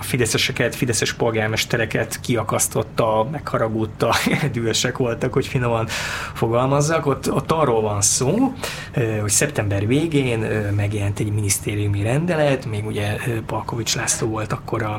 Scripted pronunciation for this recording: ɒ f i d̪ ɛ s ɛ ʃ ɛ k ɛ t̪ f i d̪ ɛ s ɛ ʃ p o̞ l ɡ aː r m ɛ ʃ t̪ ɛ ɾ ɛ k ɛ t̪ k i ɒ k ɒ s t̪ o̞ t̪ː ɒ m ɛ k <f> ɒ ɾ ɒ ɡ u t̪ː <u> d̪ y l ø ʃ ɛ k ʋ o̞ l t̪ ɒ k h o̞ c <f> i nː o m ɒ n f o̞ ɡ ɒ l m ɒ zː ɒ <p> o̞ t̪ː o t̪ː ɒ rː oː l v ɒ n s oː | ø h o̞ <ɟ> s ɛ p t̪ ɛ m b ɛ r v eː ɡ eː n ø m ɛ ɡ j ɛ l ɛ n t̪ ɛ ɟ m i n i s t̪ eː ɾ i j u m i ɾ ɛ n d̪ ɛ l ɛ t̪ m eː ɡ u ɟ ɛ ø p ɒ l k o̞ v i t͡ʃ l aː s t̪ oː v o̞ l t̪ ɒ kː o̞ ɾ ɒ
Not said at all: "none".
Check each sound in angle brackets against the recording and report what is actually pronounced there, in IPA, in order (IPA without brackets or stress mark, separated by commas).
h, ɒ, f, k, c